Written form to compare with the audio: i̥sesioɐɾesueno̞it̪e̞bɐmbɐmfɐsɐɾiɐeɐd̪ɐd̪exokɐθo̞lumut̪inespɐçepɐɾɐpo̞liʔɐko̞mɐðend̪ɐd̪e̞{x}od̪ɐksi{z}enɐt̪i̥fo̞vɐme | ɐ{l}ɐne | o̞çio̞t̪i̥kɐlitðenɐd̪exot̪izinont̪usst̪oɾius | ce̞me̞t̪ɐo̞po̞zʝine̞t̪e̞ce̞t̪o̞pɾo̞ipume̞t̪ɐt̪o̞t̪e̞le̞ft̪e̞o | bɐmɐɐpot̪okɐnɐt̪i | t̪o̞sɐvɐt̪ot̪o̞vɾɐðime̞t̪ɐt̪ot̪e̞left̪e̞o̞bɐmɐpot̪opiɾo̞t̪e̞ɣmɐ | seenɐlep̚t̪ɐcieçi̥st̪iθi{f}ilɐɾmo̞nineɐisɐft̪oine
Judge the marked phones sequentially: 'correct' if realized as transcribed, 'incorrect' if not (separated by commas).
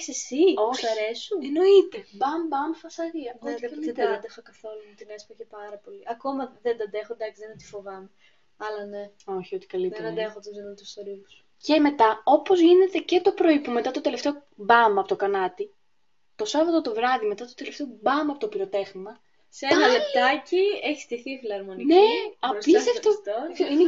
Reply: correct, incorrect, correct, correct